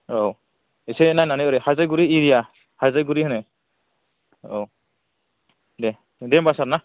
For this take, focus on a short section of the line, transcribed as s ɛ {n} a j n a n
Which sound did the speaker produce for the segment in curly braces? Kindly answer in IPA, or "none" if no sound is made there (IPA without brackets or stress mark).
n